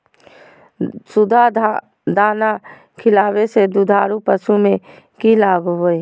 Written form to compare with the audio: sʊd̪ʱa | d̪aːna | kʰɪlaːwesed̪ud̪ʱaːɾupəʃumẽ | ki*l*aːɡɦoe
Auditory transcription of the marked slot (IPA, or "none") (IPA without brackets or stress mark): l